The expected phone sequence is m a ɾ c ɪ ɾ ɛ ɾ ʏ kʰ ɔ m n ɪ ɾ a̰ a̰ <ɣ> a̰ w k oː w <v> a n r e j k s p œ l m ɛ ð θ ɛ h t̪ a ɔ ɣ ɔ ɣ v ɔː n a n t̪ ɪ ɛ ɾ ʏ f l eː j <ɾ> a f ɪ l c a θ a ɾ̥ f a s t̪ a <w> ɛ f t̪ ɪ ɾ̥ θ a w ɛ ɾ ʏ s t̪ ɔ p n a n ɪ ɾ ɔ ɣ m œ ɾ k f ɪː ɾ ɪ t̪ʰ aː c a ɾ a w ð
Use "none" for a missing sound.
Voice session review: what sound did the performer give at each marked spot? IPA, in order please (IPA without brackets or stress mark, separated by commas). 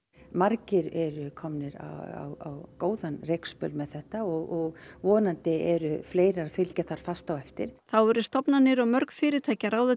w, ð, ɾ, w